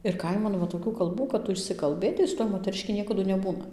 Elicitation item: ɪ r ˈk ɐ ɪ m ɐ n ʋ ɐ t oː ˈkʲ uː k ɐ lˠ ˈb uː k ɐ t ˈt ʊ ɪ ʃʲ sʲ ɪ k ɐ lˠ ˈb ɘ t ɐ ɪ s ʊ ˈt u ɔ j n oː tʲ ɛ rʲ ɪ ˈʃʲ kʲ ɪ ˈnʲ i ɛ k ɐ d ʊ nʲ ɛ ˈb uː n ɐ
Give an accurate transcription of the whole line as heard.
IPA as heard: ɪ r ˈk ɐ ɪ m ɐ n ʋ ɐ t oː ˈkʲ uː k ɐ lˠ ˈb uː k ɐ t ˈt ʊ ɪ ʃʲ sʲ ɪ k ɐ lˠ ˈb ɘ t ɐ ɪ s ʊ ˈt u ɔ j m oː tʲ ɛ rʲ ɪ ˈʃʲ kʲ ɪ ˈnʲ i ɛ k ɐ d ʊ nʲ ɛ ˈb uː n ɐ